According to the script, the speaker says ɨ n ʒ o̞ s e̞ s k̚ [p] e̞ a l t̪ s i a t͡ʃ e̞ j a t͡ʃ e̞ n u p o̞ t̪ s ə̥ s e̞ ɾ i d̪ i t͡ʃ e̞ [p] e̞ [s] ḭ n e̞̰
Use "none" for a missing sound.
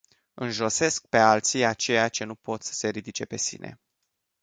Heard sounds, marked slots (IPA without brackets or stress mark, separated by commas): p, p, s